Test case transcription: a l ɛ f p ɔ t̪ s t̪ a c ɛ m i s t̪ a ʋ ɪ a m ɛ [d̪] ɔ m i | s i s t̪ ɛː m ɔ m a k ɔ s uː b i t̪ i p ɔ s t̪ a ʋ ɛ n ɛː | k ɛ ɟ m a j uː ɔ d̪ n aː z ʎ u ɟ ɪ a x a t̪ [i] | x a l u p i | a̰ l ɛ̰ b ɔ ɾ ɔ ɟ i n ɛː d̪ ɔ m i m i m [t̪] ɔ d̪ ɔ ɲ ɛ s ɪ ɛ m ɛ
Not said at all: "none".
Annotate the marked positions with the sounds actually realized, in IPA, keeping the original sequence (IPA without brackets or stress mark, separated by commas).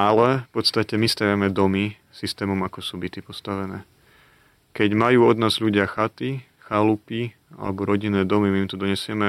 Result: d̪, i, t̪